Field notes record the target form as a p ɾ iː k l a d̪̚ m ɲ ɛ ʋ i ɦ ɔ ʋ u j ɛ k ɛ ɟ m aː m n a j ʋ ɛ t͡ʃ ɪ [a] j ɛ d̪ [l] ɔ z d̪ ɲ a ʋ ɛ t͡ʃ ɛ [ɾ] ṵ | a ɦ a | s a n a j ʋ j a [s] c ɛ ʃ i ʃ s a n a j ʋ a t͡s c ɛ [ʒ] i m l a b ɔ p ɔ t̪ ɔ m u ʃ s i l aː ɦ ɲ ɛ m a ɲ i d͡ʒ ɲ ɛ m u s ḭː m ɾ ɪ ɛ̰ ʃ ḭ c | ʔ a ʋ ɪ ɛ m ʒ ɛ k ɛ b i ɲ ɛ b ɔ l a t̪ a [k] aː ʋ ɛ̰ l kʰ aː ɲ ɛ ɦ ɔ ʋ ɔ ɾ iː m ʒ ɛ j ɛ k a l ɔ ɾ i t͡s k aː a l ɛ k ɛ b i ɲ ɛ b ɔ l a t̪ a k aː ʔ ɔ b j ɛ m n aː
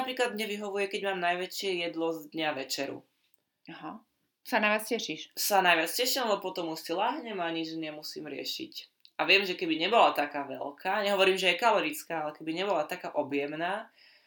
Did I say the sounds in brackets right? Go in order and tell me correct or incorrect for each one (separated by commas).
incorrect, correct, correct, incorrect, incorrect, correct